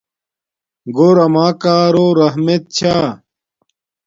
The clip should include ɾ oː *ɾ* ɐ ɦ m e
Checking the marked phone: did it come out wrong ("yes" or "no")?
no